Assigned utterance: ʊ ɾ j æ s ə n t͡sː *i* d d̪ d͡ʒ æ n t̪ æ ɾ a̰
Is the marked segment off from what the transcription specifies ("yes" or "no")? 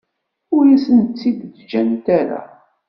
no